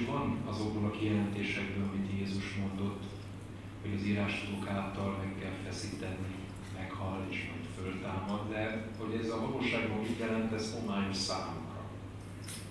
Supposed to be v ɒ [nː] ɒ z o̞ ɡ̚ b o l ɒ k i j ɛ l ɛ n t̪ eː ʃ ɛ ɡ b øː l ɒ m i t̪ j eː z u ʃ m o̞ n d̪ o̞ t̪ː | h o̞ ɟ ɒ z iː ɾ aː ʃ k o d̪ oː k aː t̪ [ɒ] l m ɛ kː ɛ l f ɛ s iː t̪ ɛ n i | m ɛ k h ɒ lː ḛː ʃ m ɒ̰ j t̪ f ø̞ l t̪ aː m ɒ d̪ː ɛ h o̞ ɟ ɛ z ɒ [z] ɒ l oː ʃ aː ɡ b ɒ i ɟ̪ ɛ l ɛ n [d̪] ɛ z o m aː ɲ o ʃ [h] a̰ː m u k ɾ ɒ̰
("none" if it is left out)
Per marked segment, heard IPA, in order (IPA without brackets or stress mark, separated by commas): n, ɒ, v, t̪, s